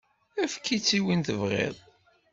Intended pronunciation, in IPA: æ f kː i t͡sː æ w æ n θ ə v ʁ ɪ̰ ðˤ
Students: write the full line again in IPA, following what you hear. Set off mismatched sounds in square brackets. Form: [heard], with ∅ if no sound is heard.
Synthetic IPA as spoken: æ f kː i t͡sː [i] w [i] n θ ə v ʁ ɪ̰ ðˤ